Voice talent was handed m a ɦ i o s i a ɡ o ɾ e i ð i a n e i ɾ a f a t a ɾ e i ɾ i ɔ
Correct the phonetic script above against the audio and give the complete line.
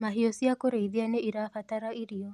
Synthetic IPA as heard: m a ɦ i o s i a k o ɾ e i ð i a n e i ɾ a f a t a ɾ a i ɾ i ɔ